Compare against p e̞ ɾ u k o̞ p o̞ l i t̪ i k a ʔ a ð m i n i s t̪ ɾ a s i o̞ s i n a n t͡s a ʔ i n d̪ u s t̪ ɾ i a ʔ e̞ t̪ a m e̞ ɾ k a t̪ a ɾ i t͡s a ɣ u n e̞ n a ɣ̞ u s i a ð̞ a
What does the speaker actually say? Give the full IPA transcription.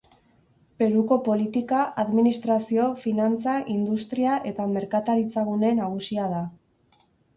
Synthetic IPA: p e̞ ɾ u k o̞ p o̞ l i t̪ i k a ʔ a ð m i n i s t̪ ɾ a s i o̞ f i n a n t͡s a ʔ i n d̪ u s t̪ ɾ i a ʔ e̞ t̪ a m e̞ ɾ k a t̪ a ɾ i t͡s a ɣ u n e̞ n a ɣ̞ u s i a ð̞ a